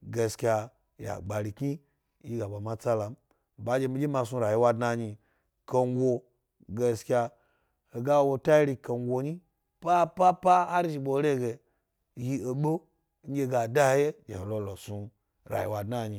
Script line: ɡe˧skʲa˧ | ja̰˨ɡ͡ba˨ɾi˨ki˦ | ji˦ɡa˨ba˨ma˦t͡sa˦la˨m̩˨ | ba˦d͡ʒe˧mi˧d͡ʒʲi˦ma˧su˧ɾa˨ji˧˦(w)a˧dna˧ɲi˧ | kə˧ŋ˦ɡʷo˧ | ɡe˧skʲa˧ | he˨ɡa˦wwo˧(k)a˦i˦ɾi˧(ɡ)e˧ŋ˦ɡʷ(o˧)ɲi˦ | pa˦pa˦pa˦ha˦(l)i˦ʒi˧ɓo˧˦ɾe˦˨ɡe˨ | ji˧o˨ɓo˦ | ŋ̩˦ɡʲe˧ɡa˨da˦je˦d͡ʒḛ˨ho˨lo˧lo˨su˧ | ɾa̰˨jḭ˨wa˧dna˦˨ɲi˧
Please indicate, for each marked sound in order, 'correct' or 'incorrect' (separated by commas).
correct, incorrect, incorrect, correct, incorrect